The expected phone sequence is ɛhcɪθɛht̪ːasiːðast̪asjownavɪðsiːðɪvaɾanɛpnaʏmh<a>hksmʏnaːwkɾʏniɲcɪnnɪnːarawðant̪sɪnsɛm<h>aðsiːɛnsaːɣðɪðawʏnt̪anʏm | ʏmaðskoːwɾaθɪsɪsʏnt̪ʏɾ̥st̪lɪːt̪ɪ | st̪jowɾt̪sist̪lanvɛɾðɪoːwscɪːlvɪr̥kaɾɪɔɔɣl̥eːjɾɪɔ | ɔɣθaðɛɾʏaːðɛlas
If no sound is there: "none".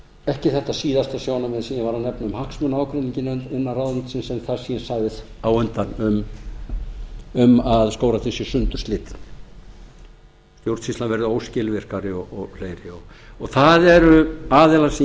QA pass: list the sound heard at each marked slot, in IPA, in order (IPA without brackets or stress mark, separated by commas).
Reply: a, θ